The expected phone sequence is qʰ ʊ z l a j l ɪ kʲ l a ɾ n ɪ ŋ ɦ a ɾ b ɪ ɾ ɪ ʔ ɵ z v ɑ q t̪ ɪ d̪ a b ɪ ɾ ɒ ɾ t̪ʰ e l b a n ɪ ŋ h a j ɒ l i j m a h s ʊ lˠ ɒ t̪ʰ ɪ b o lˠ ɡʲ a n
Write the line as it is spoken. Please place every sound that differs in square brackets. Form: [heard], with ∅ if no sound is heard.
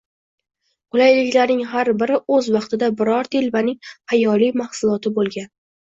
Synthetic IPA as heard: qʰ ʊ [∅] l a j l ɪ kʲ l a ɾ n ɪ ŋ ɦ a ɾ b ɪ ɾ ɪ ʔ ɵ z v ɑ q t̪ ɪ d̪ a b ɪ ɾ ɒ ɾ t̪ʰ e l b a n ɪ ŋ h a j ɒ l i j m a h s ʊ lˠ ɒ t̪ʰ ɪ b o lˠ ɡʲ a n